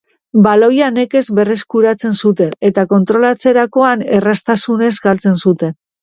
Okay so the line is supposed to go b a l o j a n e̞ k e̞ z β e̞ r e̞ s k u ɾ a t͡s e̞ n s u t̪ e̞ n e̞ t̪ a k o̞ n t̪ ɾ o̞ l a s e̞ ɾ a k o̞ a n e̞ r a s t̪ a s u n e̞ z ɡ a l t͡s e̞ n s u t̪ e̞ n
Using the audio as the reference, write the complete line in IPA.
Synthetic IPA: b a l o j a n e̞ k e̞ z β e̞ r e̞ s k u ɾ a t͡s e̞ n s u t̪ e̞ n e̞ t̪ a k o̞ n t̪ ɾ o̞ l a t͡s e̞ ɾ a k o̞ a n e̞ r a s t̪ a s u n e̞ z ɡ a l t͡s e̞ n s u t̪ e̞ n